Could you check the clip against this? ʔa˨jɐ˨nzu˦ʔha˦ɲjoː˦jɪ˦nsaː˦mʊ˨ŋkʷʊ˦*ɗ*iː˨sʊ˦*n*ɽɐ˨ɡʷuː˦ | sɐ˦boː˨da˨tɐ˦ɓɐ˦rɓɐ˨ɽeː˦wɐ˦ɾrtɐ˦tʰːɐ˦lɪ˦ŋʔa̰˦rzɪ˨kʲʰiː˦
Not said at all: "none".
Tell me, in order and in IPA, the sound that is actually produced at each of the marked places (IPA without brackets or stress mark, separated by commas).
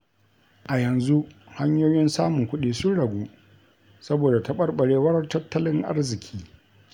ɗ, n